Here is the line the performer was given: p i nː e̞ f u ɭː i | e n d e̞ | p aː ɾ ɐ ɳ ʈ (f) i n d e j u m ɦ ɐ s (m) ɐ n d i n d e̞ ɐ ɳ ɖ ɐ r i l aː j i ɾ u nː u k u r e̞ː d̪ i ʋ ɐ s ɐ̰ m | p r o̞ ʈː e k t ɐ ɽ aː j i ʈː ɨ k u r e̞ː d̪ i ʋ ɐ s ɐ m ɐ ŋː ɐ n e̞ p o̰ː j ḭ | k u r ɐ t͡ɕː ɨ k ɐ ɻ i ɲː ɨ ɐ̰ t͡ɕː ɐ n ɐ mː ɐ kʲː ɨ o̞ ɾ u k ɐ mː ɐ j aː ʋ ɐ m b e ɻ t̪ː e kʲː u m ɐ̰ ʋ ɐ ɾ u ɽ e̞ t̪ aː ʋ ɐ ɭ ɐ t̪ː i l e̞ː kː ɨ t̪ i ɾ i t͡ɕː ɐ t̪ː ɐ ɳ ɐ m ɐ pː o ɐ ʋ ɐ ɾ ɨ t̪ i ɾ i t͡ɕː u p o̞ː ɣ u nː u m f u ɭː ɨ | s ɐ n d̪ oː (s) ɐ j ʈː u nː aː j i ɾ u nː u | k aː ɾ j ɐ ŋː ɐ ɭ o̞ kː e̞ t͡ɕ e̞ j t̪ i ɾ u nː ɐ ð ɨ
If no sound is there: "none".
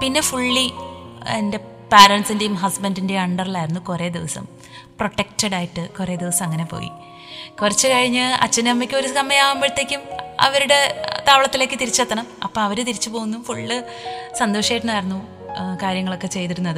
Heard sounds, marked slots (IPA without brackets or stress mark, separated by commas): s, b, ʂ